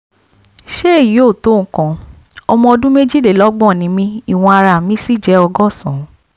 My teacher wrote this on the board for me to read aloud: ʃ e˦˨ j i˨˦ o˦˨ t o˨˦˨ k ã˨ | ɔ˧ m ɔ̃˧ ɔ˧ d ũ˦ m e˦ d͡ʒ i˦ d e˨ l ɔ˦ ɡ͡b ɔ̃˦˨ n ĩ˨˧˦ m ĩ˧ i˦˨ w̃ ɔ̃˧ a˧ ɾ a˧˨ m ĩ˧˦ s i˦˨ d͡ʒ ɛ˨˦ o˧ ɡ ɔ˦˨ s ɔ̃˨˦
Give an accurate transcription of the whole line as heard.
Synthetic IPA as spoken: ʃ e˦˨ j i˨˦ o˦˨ t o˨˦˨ k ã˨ | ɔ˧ m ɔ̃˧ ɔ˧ d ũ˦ m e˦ d͡ʒ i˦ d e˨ l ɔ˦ ɡ͡b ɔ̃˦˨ n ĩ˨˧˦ m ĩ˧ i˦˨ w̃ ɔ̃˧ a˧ ɾ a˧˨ m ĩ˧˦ s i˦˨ d͡ʒ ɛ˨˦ ɔ˧ ɡ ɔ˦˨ s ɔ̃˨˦